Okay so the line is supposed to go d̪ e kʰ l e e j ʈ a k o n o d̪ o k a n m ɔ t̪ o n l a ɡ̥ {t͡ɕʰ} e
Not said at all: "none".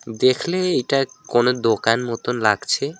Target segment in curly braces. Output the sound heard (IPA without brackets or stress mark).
t͡ɕʰ